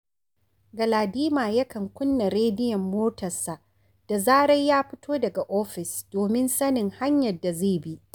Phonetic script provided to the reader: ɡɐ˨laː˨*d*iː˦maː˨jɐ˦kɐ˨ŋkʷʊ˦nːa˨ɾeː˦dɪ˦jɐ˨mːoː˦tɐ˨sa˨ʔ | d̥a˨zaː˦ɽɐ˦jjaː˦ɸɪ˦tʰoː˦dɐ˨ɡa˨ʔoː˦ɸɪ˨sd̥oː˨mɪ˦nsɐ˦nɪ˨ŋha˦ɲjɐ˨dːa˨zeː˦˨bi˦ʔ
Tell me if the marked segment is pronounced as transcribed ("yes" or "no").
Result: yes